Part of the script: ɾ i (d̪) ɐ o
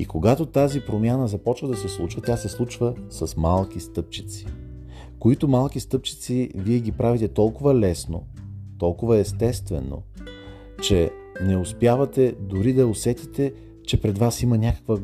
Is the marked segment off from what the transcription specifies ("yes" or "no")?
no